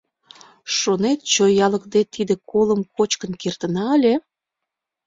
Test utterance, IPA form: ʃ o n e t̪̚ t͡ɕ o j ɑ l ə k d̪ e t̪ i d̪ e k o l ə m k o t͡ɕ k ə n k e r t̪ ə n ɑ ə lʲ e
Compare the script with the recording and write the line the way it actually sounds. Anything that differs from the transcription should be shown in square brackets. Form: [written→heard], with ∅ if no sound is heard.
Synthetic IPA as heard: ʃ o n e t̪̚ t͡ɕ o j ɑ l ə k d̪ e t̪ i d̪ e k o l ə m k o t͡ɕ k ə n k e r t̪ ə n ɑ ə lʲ e